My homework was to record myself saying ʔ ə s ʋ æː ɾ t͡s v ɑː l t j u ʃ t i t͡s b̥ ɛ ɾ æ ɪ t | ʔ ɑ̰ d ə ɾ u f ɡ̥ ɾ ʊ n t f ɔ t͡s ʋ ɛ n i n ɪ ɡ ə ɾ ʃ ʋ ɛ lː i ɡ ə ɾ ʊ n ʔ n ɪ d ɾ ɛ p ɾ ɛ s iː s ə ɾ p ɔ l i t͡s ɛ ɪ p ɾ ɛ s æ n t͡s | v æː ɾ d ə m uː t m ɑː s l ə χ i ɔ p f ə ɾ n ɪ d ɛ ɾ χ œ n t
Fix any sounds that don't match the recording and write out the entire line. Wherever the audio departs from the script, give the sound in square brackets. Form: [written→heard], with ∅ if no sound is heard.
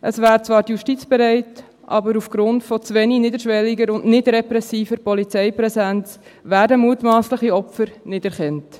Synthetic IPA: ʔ ə s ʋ æː ɾ t͡s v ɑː [l→ɾ] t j u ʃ t i t͡s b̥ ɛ ɾ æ ɪ t | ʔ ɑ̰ [d→b] ə ɾ u f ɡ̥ ɾ ʊ n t f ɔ t͡s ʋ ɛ n i n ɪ [ɡ→d] ə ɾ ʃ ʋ ɛ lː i ɡ ə ɾ ʊ n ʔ n ɪ d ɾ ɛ p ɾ ɛ s iː [s→f] ə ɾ p ɔ l i t͡s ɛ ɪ p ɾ ɛ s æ n t͡s | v æː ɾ d ə m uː t m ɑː s l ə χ i ɔ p f ə ɾ n ɪ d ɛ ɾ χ [œ→ɛ] n t